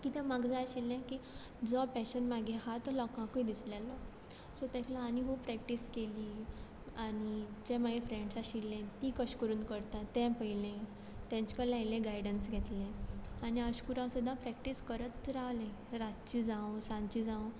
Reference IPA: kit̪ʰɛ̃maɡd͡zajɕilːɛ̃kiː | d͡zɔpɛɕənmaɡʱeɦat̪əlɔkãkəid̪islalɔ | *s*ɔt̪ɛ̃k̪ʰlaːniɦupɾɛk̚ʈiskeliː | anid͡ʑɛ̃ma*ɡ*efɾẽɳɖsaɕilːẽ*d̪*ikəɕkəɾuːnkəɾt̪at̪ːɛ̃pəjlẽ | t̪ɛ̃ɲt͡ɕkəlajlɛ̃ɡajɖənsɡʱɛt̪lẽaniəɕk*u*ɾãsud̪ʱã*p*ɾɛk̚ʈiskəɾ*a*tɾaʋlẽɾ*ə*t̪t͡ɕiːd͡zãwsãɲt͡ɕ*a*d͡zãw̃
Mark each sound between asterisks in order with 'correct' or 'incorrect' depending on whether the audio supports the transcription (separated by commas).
correct, correct, incorrect, correct, correct, incorrect, incorrect, incorrect